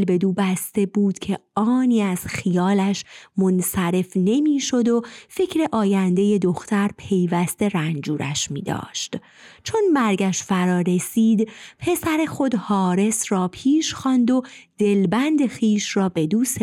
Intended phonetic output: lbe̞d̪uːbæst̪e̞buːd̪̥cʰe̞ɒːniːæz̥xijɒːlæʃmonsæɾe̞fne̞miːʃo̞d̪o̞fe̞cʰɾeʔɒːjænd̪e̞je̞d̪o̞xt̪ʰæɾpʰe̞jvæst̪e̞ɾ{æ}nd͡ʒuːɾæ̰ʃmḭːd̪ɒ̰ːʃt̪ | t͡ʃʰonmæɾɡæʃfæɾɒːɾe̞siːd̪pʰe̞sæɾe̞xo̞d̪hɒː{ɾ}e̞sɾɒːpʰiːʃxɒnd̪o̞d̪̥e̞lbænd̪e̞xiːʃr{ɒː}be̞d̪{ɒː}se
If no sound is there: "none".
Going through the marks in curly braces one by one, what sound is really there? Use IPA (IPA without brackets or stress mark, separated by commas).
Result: æ, ɾ, ɒː, uː